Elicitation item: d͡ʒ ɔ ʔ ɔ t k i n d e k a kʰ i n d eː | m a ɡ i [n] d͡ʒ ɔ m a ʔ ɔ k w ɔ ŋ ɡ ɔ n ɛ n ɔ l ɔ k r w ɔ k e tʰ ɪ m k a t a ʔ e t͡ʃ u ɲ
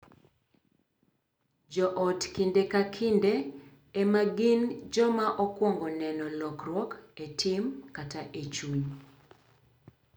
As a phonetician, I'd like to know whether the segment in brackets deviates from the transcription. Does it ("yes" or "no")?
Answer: no